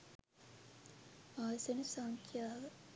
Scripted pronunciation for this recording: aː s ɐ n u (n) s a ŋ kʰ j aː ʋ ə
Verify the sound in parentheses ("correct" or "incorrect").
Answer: incorrect